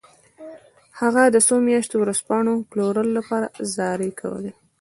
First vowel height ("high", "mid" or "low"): low